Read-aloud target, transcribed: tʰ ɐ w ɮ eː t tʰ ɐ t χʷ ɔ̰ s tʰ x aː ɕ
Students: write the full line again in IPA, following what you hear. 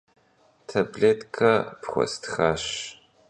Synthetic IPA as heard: tʰ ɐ b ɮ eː t kʰ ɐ p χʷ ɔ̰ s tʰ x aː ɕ